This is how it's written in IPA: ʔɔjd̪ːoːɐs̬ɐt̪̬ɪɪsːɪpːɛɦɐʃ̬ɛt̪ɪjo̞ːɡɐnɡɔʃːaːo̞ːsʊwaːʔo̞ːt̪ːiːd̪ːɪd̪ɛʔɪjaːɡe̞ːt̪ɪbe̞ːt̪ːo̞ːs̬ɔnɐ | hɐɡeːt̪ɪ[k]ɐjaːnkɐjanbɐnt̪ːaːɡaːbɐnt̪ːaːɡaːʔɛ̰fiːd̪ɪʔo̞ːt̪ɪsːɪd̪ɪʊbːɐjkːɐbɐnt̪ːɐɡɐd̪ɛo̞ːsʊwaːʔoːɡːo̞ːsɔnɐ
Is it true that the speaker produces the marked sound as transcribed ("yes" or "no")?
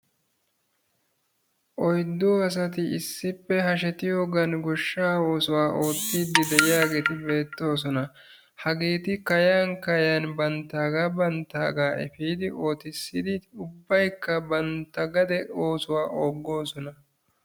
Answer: yes